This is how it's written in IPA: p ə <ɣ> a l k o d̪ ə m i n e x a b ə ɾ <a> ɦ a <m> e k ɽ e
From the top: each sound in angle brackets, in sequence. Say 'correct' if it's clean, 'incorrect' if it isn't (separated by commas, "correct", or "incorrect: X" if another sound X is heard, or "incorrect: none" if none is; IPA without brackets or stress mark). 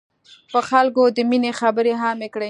incorrect: x, incorrect: e, correct